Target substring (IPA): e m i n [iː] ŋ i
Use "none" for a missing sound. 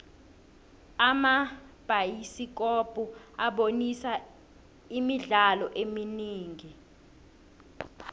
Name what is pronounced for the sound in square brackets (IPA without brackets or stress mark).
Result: iː